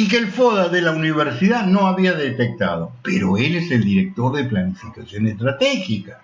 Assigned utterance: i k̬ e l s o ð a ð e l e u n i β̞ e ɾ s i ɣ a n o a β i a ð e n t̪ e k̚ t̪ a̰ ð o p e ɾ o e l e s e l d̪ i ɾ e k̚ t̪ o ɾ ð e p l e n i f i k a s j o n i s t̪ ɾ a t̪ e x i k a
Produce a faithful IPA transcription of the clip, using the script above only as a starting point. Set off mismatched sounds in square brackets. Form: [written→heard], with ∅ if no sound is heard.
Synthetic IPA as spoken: i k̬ e l [s→f] o ð a ð e l [e→a] u n i β̞ e ɾ s i [ɣ→ð] a n o a β i a ð e [n→∅] t̪ e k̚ t̪ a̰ ð o p e ɾ o e l e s e l d̪ i ɾ e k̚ t̪ o ɾ ð e p l [e→a] n i f i k a s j o n [i→e] s t̪ ɾ a t̪ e x i k a